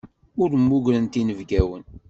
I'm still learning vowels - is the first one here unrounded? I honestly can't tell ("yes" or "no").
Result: no